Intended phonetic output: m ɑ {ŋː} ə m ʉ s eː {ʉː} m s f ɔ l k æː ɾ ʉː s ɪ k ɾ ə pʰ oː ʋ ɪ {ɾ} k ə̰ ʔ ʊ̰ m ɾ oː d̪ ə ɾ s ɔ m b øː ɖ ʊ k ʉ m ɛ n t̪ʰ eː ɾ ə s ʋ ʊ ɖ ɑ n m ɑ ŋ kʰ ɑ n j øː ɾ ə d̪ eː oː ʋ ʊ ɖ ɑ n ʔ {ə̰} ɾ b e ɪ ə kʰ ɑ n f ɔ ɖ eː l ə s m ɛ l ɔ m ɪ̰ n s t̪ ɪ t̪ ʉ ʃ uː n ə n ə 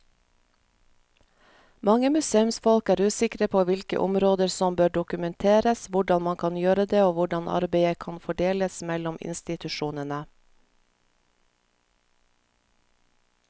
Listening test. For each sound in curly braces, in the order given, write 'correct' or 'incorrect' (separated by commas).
incorrect, incorrect, incorrect, incorrect